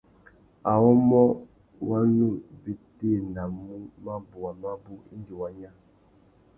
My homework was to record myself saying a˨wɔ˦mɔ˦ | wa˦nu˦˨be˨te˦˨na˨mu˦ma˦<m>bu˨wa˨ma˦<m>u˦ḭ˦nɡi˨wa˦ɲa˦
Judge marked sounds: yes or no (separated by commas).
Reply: no, no